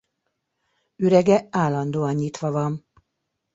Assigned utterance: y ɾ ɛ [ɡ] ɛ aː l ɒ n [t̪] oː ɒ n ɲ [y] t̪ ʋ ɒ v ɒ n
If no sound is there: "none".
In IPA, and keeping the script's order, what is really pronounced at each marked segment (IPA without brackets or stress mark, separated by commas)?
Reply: ɡ, d̪, i